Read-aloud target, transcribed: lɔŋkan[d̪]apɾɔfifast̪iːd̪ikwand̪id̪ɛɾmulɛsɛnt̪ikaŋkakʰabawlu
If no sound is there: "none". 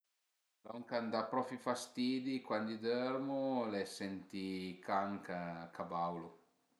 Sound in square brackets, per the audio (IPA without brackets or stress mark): d̪